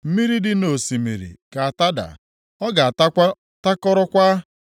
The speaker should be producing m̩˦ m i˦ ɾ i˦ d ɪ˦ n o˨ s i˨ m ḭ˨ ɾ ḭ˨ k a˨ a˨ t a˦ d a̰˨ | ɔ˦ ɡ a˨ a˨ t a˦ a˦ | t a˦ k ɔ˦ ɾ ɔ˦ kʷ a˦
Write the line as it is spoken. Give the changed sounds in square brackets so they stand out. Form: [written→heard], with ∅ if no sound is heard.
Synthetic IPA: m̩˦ m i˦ ɾ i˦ d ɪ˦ n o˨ s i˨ m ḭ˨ ɾ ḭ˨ k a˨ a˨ t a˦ d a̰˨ | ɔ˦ ɡ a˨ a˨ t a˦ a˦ | t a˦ k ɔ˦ ɾ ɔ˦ kʷ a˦